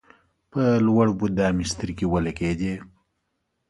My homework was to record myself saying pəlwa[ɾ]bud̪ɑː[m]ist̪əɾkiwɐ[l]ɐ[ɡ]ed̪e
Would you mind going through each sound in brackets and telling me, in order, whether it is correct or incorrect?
incorrect: ɽ, correct, correct, incorrect: k

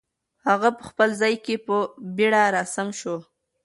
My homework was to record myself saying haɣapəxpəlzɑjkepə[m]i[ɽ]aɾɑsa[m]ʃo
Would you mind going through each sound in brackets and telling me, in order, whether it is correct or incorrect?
incorrect: b, correct, correct

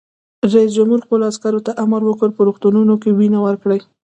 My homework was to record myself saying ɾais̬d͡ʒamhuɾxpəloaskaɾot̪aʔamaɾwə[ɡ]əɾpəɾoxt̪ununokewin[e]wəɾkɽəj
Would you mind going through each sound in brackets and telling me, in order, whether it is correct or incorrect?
incorrect: k, incorrect: a

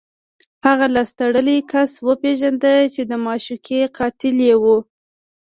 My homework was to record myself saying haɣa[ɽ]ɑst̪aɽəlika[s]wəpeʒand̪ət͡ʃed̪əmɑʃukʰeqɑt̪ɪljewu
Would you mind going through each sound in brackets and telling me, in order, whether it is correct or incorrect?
incorrect: l, correct

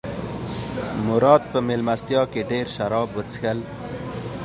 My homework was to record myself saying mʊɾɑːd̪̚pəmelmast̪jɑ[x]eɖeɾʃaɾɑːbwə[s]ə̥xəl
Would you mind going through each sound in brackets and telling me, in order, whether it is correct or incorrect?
incorrect: k, incorrect: t͡s

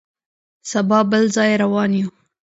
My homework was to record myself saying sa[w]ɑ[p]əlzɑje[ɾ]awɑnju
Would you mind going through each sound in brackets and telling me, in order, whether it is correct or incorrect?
incorrect: b, incorrect: b, correct

